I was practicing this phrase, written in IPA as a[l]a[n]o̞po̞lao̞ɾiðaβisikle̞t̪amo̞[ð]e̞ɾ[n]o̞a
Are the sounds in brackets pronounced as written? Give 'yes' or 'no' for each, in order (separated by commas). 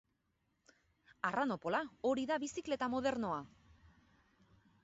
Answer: no, yes, yes, yes